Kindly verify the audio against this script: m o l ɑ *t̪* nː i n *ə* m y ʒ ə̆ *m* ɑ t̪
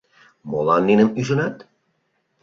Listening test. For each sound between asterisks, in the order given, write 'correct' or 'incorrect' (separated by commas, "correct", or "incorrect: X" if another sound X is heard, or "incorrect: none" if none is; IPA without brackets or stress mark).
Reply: incorrect: none, correct, incorrect: n